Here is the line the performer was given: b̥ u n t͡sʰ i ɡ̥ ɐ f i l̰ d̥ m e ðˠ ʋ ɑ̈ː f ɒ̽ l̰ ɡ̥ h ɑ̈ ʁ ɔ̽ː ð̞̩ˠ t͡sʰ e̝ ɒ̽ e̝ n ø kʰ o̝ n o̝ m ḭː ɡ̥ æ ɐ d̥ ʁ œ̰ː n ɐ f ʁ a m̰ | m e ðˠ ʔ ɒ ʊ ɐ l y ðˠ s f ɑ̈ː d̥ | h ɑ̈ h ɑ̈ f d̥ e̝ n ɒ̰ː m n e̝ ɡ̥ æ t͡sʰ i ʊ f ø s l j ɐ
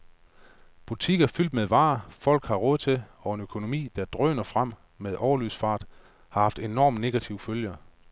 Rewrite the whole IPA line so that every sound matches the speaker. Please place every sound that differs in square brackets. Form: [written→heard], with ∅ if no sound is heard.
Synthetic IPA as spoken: b̥ u [n→∅] t͡sʰ i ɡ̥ ɐ f [i→y] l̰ d̥ m e ðˠ ʋ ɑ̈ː f ɒ̽ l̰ ɡ̥ h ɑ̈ ʁ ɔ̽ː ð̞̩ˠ t͡sʰ e̝ ɒ̽ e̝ n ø kʰ o̝ n o̝ m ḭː [ɡ̥→d̥] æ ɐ d̥ ʁ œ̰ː n ɐ f ʁ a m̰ | m e ðˠ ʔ ɒ ʊ ɐ l y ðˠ s f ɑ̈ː d̥ | h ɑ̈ h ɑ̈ f d̥ e̝ n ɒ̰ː m n e̝ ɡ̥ æ t͡sʰ i ʊ f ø [s→∅] l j ɐ